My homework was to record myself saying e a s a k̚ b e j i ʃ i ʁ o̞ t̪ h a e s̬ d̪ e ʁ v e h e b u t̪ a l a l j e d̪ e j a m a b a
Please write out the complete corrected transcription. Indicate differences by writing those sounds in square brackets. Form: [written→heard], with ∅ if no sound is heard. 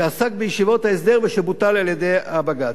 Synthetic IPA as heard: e a s a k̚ b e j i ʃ i [ʁ→v] o̞ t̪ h a e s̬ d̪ e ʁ v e [h→ʃ] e b u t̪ a l a l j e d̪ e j a [m→b] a [b→ɡ] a